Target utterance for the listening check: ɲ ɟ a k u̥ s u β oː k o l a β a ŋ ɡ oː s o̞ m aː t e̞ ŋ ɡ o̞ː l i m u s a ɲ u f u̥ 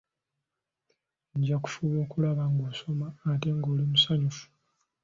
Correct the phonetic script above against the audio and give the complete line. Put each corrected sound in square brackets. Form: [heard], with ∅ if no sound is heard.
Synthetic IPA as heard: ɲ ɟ a k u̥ [f] u β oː k [u] l a β a ŋ ɡ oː s o̞ m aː t e̞ ŋ ɡ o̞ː l i m u s a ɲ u f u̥